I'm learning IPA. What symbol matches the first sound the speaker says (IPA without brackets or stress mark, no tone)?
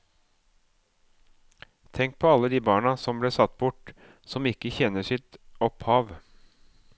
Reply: t̪ʰ